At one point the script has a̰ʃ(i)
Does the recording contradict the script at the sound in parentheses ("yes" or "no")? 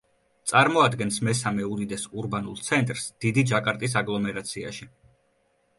no